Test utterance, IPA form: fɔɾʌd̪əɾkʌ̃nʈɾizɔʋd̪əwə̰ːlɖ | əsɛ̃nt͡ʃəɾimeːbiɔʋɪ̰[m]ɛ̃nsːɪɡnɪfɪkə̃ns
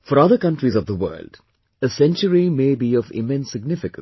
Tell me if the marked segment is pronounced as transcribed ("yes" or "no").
yes